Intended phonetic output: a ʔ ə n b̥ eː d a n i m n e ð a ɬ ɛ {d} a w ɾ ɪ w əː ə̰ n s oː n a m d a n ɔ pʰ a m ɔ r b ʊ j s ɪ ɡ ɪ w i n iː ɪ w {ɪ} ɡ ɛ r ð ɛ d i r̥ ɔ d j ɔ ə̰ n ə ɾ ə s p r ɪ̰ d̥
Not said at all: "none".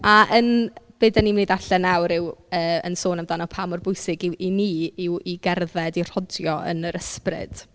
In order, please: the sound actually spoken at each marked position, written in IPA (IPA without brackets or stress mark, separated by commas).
n, i